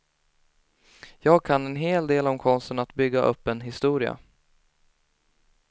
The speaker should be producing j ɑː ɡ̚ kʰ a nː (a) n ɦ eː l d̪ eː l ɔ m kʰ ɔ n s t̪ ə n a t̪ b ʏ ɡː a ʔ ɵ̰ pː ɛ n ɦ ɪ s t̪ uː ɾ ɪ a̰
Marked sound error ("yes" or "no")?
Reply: yes